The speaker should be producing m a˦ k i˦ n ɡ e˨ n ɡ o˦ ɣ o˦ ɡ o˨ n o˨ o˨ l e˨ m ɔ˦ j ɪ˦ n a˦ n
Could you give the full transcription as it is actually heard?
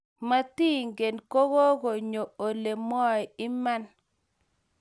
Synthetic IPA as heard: m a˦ t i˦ ŋ ɡ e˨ n k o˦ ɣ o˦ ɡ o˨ ɲ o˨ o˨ l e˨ m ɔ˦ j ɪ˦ m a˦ n